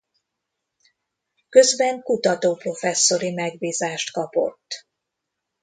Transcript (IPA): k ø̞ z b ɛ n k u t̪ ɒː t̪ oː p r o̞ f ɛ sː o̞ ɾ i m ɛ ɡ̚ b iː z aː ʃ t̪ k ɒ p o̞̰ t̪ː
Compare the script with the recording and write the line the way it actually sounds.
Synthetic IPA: k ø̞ z b ɛ ŋ k u t̪ ɒ t̪ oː p r o̞ f ɛ sː o̞ ɾ i m ɛ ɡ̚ b iː z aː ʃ t̪ k ɒ p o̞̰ t̪ː